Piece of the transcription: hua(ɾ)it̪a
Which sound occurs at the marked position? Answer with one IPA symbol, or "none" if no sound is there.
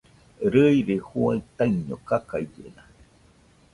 none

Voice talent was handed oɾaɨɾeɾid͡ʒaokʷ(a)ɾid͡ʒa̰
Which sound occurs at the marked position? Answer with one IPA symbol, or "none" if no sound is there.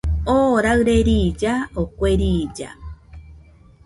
e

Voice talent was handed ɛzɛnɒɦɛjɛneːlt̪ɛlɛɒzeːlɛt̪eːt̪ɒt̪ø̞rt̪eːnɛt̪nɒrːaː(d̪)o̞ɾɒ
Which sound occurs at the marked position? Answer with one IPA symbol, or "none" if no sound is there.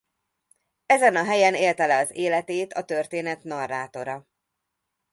t̪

